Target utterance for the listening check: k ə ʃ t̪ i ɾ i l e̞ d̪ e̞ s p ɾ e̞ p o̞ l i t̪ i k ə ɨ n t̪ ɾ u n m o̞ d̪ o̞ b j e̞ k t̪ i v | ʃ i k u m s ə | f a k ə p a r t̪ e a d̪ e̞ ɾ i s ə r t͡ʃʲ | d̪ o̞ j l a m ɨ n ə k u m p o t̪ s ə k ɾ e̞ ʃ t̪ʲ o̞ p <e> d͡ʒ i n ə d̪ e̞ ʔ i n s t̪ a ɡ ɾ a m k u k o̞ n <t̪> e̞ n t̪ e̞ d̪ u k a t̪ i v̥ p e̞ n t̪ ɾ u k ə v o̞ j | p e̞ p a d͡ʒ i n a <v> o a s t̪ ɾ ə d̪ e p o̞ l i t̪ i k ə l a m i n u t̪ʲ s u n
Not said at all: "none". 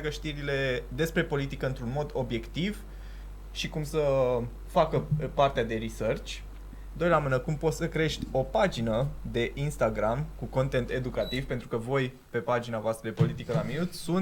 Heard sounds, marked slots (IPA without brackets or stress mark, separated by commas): a, t̪, v